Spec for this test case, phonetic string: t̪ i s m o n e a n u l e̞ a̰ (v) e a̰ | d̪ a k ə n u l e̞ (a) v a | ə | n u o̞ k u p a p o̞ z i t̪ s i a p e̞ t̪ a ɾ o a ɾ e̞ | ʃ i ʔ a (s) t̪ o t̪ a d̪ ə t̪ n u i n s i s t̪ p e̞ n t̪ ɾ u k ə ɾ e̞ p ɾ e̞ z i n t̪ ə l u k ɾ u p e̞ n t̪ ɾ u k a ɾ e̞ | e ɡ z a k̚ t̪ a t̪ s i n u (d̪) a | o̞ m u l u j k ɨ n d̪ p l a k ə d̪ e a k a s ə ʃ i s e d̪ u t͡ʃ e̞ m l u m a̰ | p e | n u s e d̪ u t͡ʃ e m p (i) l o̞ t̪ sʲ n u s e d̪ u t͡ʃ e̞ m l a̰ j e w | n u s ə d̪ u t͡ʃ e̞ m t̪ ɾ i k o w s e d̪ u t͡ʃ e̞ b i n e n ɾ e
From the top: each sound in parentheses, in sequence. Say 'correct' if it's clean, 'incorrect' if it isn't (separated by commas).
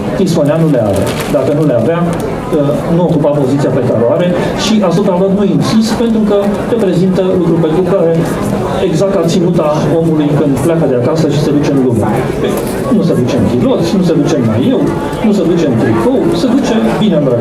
correct, correct, correct, incorrect, correct